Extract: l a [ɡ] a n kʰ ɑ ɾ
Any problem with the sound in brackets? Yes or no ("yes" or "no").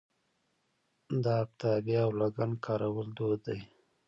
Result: no